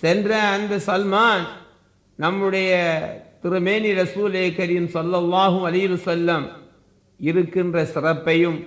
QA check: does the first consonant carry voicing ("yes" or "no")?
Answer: no